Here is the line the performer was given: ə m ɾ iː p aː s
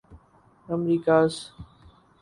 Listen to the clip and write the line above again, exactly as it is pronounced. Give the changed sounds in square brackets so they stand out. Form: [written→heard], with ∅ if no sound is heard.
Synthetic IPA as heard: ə m ɾ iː [p→k] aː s